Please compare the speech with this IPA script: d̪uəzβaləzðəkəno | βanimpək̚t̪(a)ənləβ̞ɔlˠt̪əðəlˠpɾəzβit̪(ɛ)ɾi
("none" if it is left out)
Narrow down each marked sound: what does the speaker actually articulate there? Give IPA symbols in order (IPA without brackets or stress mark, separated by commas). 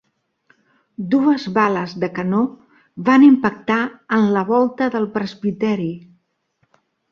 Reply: a, ɛ